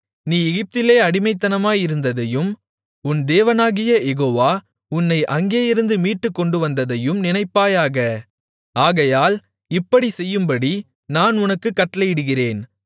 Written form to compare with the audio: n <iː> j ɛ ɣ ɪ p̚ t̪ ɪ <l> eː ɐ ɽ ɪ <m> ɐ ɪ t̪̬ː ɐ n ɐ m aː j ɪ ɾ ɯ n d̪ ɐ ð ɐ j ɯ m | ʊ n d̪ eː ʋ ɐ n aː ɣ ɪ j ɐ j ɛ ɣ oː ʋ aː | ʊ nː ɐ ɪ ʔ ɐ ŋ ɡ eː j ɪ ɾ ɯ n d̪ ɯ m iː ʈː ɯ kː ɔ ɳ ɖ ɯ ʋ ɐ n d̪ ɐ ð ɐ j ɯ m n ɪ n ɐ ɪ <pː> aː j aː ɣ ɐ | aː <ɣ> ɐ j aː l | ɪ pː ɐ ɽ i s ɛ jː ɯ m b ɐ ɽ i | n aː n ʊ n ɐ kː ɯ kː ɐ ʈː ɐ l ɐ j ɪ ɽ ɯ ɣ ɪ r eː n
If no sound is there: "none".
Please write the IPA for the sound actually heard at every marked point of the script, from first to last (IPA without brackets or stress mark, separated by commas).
iː, l, m, pː, ɣ